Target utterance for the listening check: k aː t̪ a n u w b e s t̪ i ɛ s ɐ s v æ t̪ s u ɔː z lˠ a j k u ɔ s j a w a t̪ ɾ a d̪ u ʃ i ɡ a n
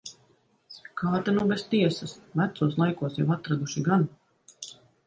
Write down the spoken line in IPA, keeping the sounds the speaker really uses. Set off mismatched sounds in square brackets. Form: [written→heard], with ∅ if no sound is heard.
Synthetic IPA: k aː t̪ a n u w b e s t̪ i ɛ s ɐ s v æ t̪ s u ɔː [z→s] lˠ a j k u ɔ s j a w a t̪ ɾ a d̪ u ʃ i ɡ a n